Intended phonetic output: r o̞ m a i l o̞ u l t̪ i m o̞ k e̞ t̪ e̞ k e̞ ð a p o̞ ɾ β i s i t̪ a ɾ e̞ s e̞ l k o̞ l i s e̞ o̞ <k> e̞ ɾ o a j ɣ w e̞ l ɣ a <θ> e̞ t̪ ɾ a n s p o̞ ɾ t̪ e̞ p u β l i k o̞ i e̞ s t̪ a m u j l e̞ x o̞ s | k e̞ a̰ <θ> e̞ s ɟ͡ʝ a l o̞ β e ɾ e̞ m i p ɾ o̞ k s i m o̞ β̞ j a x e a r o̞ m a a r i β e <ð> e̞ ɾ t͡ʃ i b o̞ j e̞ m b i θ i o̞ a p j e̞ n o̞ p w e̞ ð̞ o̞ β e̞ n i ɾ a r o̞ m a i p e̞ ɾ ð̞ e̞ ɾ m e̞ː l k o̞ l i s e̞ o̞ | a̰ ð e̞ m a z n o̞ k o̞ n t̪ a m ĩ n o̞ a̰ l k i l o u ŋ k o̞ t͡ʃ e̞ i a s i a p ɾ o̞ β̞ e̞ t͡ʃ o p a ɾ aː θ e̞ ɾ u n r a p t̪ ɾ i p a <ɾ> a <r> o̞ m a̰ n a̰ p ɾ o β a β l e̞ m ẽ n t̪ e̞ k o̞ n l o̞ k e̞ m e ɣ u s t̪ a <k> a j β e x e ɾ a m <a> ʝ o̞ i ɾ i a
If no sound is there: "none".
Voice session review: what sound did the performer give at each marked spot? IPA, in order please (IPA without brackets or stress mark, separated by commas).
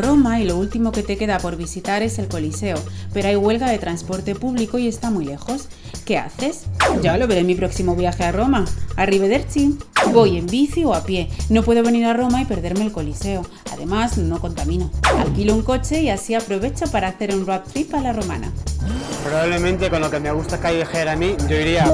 p, ð, θ, ð, l, r, k, i